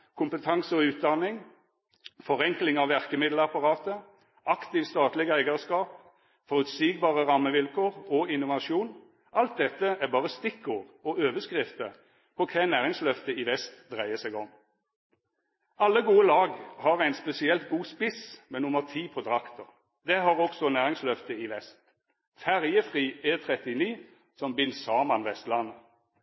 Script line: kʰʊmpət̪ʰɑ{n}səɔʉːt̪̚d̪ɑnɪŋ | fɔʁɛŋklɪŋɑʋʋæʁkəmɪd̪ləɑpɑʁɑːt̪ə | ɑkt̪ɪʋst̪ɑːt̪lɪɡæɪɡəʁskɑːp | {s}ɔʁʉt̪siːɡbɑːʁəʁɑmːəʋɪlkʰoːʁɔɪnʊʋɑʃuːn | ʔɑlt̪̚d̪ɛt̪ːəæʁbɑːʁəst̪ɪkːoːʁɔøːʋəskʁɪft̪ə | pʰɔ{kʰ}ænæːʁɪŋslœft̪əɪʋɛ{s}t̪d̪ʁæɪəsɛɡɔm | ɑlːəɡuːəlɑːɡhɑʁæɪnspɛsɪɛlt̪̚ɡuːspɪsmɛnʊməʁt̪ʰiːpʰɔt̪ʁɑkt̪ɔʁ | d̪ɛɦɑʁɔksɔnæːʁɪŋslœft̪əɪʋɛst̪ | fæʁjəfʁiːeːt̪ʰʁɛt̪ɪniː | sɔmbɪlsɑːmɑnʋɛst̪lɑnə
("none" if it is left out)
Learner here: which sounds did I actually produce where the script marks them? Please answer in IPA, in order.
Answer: ŋ, f, kʰ, s

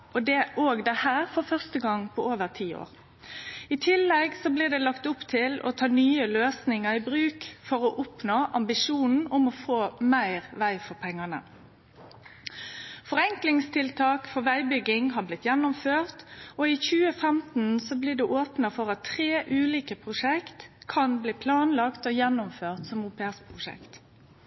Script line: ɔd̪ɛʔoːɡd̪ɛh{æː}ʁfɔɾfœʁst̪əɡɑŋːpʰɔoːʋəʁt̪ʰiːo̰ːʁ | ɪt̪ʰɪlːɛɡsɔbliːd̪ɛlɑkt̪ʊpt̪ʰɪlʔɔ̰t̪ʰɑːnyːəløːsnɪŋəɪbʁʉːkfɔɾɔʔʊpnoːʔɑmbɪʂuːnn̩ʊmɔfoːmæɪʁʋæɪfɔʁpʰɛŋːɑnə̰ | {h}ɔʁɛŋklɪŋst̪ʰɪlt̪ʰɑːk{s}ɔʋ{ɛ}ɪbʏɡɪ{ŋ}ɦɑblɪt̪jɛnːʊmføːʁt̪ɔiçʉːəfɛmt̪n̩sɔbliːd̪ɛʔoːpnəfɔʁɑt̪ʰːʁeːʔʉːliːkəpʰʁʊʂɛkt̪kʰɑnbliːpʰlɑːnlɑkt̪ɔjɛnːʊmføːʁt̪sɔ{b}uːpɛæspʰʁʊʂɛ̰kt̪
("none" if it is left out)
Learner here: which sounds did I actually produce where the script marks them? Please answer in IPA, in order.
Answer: æː, f, f, æ, ŋ, m

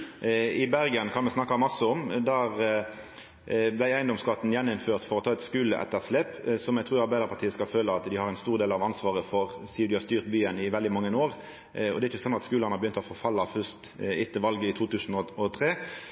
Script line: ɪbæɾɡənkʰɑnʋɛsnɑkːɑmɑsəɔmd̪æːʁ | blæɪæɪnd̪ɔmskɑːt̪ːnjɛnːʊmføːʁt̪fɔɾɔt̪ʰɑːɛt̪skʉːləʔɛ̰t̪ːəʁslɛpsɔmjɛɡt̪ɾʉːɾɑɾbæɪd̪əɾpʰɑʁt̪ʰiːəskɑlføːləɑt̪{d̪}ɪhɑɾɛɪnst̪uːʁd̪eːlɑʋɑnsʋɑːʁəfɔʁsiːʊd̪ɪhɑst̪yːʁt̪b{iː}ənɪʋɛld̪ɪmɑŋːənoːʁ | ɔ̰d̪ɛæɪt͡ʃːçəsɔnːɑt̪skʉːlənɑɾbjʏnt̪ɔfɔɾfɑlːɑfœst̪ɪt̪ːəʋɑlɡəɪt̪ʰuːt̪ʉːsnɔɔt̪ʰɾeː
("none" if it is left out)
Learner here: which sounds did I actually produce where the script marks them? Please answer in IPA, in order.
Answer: d̪, yː

